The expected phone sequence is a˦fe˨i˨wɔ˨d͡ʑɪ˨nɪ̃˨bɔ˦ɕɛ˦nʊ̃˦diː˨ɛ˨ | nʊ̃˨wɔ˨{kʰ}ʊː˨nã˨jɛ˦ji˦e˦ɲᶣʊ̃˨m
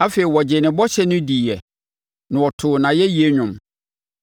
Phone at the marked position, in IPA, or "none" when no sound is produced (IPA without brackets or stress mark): tʰ